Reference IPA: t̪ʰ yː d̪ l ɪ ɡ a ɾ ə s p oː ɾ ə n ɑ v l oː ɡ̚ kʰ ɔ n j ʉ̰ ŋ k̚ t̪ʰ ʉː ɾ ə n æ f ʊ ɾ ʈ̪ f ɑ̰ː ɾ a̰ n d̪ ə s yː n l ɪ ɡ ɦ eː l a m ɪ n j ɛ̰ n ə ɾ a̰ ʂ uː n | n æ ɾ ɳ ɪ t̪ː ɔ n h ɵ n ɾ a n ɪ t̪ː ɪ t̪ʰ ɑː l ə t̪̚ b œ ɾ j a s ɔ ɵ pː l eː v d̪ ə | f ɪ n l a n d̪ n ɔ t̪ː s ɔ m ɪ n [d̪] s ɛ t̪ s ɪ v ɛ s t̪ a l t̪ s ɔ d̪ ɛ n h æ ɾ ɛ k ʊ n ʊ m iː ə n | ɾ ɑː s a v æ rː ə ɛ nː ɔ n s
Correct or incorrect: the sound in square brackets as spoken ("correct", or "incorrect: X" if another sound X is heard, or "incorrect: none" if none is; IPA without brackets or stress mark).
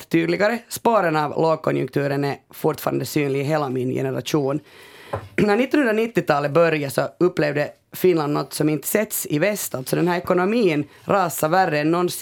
incorrect: t̪